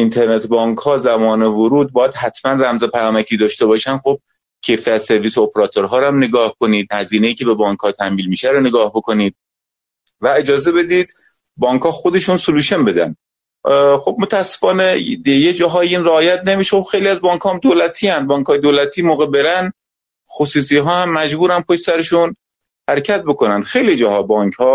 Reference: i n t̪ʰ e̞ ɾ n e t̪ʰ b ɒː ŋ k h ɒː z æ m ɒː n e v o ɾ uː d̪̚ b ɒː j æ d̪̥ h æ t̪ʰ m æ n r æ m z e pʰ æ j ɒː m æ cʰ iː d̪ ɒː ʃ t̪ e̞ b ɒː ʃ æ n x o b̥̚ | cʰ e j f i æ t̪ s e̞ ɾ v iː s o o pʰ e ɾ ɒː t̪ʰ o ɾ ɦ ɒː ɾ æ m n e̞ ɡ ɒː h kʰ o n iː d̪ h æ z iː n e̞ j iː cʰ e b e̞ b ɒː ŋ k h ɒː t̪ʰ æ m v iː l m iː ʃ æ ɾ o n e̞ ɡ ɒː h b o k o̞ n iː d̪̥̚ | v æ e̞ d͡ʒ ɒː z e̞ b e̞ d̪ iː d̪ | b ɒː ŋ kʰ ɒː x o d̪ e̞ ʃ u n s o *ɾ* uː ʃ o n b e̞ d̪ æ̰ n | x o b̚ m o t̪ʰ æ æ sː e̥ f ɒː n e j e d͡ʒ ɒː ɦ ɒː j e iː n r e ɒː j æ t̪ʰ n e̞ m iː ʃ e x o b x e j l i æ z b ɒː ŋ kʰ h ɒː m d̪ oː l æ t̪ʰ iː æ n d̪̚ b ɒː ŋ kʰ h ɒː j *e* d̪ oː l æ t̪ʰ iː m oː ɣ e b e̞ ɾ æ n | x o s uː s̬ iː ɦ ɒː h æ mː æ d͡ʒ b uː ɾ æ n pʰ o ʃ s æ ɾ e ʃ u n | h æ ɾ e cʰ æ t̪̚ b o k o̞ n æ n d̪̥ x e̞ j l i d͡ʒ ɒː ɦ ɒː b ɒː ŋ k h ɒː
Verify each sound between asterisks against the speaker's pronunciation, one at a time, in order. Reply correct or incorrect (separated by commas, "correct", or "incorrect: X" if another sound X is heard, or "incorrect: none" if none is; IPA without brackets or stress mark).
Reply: incorrect: l, correct